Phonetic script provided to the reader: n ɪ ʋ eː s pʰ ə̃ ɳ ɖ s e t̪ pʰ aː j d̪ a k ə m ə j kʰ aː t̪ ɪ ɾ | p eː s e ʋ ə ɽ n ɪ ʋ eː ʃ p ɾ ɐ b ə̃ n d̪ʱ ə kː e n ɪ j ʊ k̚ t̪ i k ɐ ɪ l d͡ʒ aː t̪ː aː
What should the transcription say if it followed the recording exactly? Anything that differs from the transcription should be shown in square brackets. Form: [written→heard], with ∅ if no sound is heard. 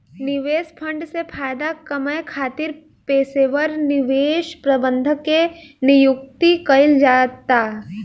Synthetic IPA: n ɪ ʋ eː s pʰ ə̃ ɳ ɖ s e [t̪→∅] pʰ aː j d̪ a k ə m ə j kʰ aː t̪ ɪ ɾ | p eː s e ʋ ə [ɽ→ɾ] n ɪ ʋ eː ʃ p ɾ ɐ b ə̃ n d̪ʱ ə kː e n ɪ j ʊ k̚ t̪ i k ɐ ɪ l d͡ʒ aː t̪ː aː